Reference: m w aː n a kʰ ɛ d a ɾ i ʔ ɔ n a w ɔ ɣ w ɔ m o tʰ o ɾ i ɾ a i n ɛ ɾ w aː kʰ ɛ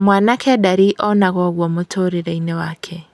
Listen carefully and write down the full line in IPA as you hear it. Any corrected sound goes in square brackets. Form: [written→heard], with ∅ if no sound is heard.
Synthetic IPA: m w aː n a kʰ ɛ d a ɾ i ʔ ɔ n a [w→ɣ] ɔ ɣ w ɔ m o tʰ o ɾ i ɾ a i n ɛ [ɾ→∅] w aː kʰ ɛ